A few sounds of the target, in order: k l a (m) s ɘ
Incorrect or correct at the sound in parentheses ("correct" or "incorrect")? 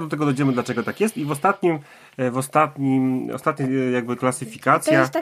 incorrect